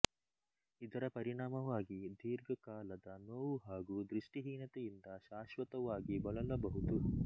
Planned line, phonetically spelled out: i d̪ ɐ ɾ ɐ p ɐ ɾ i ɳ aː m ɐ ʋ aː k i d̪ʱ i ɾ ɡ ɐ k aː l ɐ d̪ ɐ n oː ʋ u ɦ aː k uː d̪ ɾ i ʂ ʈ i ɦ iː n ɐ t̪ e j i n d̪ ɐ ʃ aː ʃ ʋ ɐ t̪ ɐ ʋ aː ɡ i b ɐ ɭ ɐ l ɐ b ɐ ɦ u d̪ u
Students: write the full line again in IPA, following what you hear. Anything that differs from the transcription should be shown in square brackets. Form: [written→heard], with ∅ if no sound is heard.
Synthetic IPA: i d̪ ɐ ɾ ɐ p ɐ ɾ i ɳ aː m ɐ ʋ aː [k→ɡ] i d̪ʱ [i→iː] ɾ ɡ ɐ k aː l ɐ d̪ ɐ n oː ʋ u ɦ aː [k→ɡ] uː d̪ ɾ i ʂ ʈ i ɦ iː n ɐ t̪ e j i n d̪ ɐ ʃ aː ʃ ʋ ɐ t̪ ɐ ʋ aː ɡ i b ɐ ɭ ɐ l ɐ b ɐ ɦ u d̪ u